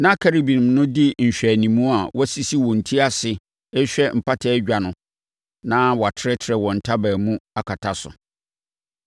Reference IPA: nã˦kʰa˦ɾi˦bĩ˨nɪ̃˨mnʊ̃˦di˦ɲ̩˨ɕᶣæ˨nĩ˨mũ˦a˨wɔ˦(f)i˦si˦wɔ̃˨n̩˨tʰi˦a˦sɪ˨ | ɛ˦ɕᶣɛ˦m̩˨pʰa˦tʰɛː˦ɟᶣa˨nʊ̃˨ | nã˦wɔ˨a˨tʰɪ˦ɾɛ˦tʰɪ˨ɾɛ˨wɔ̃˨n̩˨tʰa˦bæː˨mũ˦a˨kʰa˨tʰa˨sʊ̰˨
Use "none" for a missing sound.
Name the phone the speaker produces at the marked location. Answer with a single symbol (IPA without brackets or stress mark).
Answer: s